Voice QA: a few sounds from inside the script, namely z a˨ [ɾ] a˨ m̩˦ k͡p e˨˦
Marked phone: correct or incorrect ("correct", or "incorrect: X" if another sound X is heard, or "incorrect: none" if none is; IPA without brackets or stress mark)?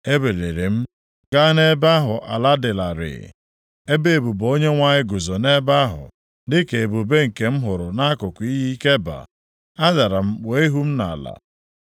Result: correct